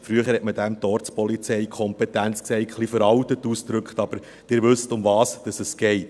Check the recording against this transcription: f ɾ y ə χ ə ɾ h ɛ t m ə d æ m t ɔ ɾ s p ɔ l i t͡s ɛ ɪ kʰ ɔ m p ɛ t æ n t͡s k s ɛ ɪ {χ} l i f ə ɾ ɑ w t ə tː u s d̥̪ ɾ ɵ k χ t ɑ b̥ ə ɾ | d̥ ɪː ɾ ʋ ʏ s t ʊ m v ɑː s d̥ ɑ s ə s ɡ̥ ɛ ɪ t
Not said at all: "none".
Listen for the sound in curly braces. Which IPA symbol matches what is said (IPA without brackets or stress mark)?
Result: χ